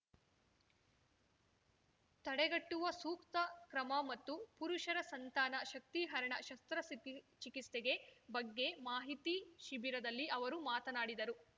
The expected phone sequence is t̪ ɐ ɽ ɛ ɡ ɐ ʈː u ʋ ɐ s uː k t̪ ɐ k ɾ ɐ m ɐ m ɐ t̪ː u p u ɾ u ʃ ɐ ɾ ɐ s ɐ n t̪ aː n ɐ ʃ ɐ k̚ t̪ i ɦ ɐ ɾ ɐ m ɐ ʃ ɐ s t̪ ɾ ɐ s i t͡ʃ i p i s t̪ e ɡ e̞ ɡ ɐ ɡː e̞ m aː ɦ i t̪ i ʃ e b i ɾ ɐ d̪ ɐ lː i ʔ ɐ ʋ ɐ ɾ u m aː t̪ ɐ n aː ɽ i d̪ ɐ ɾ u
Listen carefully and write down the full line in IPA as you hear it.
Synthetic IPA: t̪ ɐ ɽ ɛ ɡ ɐ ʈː u ʋ ɐ s uː k t̪ ɐ k ɾ ɐ m ɐ m ɐ t̪ː u p u ɾ u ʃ ɐ ɾ ɐ s ɐ n t̪ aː n ɐ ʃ ɐ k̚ t̪ i ɦ ɐ ɾ ɐ ɳ ɐ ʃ ɐ s t̪ ɾ ɐ s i t͡ʃ i k i s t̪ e ɡ e̞ b ɐ ɡː e̞ m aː ɦ i t̪ i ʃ i b i ɾ ɐ d̪ ɐ lː i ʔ ɐ ʋ ɐ ɾ u m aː t̪ ɐ n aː ɽ i d̪ ɐ ɾ u